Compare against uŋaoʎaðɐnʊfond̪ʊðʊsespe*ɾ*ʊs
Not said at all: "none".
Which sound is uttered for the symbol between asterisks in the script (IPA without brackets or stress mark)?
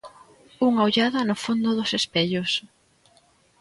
ʎ